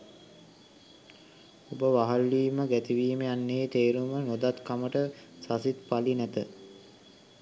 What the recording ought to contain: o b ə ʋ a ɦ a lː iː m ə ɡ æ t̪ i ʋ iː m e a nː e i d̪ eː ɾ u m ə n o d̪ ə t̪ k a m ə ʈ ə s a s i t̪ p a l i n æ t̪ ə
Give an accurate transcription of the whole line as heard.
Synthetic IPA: o b ə ʋ a ɦ a lː iː m ə ɡ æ t̪ i ʋ iː m e a nː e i t̪ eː ɾ u m ə n o d̪ a t̪ k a m ə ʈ ə s a s i t̪ p a l i n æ t̪ ə